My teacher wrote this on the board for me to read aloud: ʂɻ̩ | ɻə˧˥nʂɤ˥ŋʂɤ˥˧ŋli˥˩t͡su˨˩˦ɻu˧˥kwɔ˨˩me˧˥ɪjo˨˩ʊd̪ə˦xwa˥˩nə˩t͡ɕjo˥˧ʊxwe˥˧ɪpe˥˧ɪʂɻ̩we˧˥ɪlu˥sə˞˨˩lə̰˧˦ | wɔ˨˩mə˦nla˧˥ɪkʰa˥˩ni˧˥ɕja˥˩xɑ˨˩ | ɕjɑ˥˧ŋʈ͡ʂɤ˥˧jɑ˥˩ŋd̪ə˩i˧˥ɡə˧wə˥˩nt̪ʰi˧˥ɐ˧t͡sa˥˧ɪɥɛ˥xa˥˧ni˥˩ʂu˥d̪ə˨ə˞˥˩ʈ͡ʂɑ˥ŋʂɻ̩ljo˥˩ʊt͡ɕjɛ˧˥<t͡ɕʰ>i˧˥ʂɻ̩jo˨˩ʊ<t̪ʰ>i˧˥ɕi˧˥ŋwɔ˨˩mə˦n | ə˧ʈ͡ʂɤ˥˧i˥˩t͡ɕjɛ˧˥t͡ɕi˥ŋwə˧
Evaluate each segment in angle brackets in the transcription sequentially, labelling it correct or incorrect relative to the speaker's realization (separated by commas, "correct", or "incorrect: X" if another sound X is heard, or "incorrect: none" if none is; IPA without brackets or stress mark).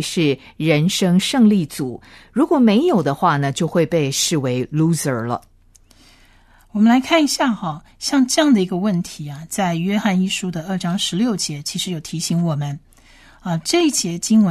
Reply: correct, correct